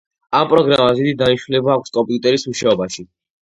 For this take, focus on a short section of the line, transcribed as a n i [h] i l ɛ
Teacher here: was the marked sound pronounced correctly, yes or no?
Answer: no